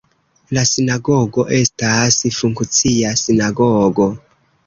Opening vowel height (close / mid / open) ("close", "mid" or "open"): open